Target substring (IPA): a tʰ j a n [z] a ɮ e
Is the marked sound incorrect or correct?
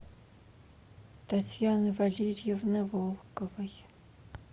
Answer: incorrect